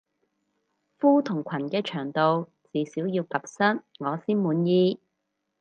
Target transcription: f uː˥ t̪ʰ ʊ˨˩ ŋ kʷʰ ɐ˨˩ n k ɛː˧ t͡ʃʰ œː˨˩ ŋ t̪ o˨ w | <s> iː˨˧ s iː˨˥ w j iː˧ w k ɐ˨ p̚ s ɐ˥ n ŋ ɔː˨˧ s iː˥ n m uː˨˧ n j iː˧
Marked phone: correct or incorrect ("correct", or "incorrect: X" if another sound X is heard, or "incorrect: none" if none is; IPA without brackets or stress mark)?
incorrect: t͡s